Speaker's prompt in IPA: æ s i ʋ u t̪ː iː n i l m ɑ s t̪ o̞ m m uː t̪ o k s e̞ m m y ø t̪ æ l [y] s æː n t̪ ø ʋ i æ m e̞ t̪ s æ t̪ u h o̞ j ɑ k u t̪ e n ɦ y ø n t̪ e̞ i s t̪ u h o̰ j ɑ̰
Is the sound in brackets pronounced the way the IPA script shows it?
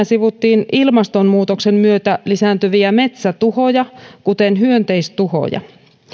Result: no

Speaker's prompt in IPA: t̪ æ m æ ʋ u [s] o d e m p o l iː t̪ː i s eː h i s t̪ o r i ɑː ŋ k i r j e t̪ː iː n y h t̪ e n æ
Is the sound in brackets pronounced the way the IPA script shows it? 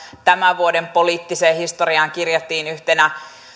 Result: no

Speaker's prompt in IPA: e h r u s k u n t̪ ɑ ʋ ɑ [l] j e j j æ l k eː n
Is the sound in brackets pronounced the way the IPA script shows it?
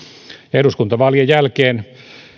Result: yes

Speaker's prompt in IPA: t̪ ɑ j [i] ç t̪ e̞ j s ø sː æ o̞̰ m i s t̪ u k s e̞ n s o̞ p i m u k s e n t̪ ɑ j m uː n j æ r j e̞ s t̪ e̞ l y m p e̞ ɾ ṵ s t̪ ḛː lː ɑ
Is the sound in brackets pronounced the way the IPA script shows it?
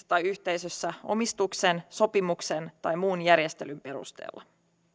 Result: no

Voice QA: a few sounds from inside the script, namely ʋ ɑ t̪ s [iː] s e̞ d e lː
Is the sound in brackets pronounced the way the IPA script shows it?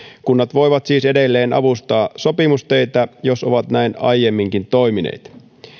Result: yes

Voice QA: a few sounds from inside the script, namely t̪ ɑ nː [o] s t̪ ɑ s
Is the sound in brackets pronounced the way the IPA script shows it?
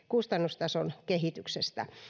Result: no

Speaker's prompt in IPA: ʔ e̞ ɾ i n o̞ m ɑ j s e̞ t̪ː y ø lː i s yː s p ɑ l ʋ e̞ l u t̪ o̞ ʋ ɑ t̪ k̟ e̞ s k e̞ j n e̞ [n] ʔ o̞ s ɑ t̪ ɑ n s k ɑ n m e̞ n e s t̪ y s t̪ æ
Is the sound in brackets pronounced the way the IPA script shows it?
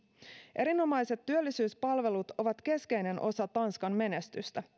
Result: yes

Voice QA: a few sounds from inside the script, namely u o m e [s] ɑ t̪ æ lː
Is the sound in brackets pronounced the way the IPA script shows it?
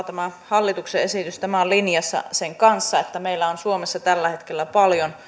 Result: no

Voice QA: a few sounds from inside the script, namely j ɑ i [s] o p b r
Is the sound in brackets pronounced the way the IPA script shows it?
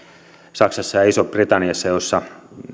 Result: yes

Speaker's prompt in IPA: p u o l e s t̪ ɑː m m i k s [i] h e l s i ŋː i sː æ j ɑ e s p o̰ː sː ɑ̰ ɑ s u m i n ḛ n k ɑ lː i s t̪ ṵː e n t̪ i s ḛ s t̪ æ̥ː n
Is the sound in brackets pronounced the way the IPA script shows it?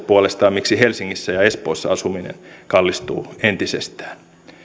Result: yes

